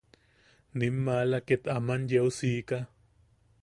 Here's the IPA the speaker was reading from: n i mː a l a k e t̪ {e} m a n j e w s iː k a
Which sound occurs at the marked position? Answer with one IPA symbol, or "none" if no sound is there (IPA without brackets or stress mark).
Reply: a